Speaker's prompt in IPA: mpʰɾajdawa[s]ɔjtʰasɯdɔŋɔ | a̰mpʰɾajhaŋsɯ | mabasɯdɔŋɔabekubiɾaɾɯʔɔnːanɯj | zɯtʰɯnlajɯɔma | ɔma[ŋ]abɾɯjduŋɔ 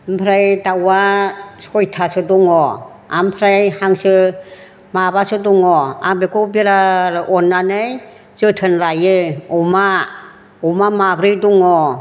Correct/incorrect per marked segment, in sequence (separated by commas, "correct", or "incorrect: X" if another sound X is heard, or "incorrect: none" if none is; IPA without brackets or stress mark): correct, incorrect: m